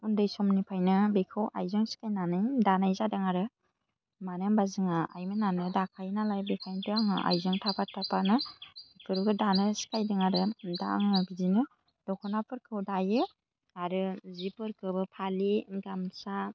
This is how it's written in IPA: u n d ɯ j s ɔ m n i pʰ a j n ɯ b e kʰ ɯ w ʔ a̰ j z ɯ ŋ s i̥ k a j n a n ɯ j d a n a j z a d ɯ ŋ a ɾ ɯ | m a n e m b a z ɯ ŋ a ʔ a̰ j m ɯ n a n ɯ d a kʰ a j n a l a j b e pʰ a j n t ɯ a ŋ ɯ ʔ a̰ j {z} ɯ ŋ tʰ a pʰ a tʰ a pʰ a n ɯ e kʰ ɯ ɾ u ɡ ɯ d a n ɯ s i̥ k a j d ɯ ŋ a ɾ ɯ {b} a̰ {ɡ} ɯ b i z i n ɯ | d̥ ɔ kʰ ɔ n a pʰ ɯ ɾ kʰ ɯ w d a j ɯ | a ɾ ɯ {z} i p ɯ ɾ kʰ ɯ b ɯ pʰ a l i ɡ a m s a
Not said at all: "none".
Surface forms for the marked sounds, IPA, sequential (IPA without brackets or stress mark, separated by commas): z, d, ŋ, z